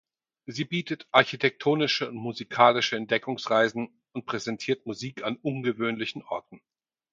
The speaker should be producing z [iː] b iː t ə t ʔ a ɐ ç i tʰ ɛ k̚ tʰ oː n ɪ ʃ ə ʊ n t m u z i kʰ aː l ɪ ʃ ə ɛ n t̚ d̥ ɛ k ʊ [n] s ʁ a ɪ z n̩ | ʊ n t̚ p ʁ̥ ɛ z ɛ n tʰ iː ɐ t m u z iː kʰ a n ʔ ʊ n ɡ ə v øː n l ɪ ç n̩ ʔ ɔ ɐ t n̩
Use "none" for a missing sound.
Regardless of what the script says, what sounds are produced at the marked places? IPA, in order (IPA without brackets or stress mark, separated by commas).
iː, ŋ